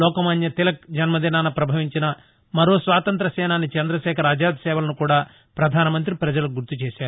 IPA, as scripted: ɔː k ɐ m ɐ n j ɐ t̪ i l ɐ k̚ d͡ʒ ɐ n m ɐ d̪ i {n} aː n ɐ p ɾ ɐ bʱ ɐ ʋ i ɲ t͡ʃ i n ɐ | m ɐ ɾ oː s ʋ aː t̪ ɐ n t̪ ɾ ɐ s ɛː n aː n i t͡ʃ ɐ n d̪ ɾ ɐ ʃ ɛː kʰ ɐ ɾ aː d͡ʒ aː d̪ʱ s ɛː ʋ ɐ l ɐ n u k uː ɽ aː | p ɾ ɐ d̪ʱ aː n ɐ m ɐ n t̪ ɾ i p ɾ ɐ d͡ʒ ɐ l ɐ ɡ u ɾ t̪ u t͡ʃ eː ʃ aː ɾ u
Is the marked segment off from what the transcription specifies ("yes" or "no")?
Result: no